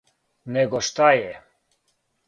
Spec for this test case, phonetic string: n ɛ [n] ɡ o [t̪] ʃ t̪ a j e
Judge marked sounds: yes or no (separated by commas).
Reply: no, no